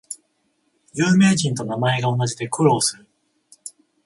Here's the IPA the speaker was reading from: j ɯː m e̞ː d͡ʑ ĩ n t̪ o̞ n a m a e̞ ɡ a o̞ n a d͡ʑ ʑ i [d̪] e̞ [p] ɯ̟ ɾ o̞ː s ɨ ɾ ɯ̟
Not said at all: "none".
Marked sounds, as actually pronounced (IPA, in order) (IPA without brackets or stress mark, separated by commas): d̪, k